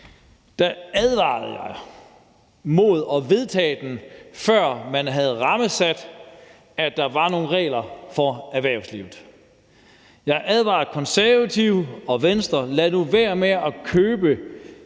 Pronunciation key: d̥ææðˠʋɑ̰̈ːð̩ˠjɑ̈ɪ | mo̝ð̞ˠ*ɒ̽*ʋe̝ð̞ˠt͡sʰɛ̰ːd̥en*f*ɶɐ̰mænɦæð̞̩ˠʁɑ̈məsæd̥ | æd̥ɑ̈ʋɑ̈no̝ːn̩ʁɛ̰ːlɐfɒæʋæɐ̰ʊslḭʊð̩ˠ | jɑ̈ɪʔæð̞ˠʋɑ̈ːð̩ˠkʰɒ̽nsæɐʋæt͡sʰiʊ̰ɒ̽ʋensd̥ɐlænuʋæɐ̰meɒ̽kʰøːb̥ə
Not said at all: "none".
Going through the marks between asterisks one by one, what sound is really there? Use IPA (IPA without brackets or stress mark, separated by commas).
ɒ̽, f